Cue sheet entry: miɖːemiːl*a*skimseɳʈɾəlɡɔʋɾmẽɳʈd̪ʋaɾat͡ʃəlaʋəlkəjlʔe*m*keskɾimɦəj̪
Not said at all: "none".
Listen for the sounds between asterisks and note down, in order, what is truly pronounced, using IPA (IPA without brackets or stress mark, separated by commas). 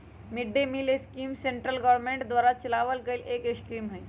e, none